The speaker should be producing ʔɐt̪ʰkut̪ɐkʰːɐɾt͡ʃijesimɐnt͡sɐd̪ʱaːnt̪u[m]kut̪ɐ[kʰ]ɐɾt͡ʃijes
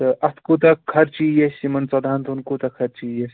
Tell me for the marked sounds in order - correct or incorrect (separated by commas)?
incorrect, correct